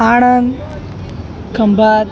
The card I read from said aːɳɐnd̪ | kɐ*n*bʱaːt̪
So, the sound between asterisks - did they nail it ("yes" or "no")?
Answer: no